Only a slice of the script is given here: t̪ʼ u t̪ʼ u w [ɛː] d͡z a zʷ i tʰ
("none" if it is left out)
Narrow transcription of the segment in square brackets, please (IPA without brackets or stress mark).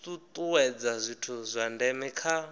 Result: ɛ